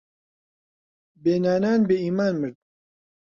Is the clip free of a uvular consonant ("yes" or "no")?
yes